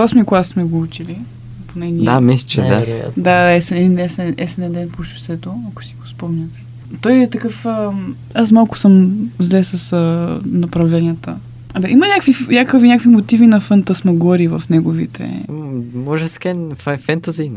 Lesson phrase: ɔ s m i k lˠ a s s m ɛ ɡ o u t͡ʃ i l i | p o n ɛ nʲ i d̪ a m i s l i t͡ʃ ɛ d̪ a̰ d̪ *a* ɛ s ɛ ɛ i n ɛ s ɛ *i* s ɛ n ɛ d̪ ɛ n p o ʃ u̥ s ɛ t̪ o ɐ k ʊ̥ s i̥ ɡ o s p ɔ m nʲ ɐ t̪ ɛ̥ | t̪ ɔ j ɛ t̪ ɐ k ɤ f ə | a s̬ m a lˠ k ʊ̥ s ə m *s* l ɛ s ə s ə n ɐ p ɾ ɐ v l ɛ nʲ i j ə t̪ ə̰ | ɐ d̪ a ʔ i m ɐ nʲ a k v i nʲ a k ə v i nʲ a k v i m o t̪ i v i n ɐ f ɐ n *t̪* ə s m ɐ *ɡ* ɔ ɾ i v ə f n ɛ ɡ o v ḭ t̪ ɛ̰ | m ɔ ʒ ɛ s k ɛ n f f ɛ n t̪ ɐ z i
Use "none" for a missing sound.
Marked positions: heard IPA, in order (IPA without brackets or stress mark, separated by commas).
a, ɛ, z, t̪, ɡ